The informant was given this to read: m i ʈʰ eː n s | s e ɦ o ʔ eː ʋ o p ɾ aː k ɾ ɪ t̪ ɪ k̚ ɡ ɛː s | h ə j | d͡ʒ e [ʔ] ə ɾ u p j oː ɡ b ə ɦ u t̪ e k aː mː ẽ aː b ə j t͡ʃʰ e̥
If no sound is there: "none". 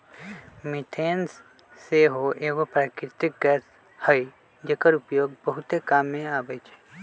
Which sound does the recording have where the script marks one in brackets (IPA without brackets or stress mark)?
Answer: k